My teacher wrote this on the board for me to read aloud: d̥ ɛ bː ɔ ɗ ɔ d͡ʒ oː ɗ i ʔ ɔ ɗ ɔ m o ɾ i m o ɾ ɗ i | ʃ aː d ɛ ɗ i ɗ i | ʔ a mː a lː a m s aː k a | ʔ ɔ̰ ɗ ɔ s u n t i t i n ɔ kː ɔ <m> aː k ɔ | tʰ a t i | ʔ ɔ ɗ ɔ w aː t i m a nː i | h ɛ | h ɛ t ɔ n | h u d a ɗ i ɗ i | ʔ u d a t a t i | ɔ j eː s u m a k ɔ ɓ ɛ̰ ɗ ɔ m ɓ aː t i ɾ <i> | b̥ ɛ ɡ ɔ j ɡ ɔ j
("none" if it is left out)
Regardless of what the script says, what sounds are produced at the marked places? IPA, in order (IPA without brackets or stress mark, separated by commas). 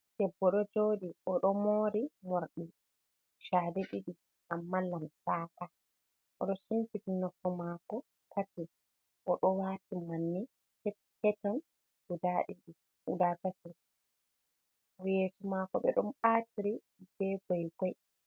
m, i